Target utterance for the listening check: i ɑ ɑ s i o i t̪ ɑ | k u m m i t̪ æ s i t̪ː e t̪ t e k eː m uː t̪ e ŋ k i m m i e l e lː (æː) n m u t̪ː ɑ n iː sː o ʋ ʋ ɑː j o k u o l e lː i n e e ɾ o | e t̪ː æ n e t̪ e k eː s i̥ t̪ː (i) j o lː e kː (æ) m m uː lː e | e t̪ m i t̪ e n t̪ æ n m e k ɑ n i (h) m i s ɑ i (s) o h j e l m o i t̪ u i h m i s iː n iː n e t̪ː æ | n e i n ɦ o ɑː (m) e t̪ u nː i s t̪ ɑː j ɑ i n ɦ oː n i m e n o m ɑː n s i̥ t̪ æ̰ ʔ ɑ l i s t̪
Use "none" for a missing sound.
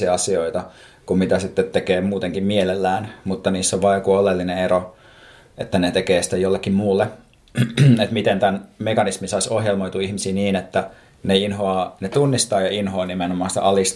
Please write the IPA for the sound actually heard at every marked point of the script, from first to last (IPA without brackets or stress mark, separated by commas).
æː, e, i, s, s, n